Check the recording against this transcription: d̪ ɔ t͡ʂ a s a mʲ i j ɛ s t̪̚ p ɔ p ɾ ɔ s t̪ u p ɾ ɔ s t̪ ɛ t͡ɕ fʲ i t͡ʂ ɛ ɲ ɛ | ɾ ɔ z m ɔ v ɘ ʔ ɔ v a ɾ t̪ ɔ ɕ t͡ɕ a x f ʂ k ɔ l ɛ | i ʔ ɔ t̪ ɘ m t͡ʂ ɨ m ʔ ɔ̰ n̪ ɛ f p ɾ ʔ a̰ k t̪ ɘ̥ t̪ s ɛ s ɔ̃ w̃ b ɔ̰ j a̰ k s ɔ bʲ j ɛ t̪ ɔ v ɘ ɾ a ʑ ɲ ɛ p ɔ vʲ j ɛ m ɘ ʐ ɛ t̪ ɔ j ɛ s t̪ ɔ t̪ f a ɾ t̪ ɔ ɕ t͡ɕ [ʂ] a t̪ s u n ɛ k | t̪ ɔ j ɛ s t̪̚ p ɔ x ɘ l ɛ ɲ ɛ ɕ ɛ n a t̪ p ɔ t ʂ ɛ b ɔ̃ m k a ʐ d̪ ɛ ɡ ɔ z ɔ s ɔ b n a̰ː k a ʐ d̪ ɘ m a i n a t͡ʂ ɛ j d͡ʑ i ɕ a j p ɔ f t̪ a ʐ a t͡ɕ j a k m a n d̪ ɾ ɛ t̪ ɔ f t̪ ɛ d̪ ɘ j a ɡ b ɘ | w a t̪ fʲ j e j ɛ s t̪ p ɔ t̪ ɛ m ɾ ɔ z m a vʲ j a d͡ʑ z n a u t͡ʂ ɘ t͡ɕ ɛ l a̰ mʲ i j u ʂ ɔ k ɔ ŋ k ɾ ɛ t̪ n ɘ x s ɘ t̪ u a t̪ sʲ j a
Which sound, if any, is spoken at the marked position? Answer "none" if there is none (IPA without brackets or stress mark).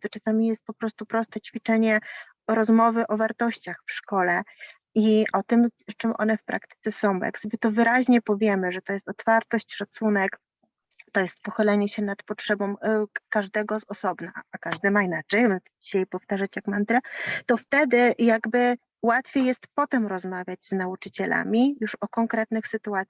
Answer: ʂ